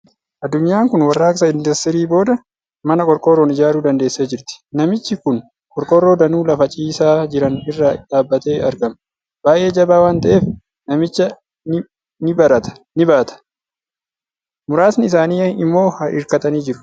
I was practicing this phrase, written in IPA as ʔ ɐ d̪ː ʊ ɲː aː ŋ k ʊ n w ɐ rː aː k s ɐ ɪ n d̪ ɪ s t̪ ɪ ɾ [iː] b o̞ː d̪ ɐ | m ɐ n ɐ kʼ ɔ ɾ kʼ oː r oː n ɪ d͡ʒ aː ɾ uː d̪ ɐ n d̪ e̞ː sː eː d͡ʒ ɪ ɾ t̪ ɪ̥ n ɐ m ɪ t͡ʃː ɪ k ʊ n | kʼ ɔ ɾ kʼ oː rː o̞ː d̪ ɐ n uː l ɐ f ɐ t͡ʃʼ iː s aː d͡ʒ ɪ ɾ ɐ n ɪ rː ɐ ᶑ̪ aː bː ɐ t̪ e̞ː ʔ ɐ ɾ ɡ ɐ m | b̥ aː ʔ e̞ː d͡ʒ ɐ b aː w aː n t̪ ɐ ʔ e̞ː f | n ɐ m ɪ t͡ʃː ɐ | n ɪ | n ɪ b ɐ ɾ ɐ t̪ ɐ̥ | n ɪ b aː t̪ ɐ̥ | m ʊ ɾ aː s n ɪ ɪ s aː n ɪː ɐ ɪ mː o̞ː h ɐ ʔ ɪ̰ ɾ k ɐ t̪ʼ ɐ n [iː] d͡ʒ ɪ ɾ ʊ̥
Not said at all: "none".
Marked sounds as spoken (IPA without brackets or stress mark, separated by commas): iː, iː